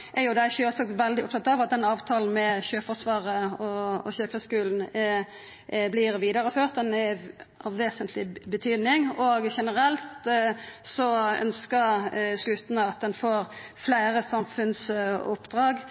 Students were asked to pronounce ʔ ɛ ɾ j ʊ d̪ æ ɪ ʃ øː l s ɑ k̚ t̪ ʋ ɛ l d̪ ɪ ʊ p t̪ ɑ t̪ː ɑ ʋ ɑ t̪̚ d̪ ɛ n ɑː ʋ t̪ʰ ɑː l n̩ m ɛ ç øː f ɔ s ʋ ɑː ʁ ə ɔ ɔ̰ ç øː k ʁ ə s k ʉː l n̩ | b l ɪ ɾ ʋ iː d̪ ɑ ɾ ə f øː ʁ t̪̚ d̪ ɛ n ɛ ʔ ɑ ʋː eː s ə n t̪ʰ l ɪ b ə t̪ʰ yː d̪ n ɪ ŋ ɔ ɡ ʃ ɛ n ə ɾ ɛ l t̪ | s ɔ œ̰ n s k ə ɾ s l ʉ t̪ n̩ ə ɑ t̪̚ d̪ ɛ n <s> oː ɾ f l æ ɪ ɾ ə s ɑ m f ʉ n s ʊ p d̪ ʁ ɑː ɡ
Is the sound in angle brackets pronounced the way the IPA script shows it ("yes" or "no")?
no